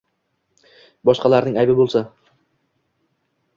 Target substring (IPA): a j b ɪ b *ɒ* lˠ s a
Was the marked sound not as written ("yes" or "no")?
yes